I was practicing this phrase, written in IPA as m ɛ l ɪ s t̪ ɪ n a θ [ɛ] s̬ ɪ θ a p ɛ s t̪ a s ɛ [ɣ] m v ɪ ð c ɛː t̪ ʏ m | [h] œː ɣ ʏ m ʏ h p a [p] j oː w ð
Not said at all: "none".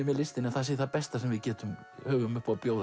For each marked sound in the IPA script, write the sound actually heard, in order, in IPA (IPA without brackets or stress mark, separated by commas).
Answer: a, none, h, p